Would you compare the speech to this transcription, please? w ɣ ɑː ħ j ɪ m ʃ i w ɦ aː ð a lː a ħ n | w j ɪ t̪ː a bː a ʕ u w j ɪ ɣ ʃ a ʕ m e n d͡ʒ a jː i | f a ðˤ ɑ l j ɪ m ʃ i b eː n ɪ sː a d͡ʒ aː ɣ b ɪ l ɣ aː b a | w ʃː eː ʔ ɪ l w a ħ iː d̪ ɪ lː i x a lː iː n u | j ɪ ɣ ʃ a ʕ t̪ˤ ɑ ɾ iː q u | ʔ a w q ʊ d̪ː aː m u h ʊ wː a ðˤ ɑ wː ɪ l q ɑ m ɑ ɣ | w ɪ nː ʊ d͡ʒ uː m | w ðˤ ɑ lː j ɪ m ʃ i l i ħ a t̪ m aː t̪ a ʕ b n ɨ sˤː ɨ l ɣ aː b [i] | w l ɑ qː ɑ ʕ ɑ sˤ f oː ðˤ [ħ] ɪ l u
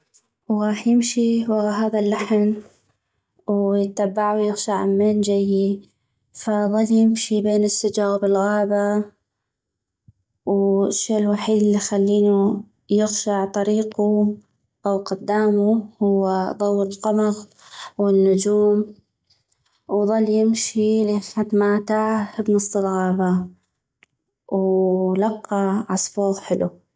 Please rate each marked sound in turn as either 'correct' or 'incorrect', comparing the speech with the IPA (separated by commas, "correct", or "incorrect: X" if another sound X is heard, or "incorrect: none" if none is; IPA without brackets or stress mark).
incorrect: a, correct